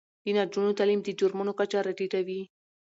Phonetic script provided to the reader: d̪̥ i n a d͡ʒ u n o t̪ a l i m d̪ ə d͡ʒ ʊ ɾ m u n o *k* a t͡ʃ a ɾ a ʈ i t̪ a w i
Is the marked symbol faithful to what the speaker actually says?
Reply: yes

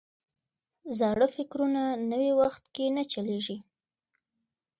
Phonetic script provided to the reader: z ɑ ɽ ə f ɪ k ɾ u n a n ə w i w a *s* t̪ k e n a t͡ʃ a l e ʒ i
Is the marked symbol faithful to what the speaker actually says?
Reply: no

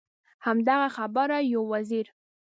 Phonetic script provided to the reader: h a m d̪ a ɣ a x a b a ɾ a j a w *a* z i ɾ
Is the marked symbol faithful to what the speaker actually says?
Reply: yes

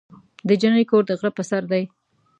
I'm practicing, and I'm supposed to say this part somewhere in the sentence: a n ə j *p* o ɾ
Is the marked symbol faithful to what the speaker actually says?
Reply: no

